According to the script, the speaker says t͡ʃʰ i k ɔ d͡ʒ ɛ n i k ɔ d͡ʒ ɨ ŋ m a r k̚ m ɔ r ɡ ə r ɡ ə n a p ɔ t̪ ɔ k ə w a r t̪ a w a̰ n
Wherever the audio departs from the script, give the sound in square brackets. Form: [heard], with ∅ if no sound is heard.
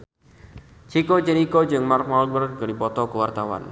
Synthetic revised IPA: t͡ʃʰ i k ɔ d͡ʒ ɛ n i k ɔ d͡ʒ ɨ ŋ m a r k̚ m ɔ [l] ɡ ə r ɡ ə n [i] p ɔ t̪ ɔ k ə w a r t̪ a w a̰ n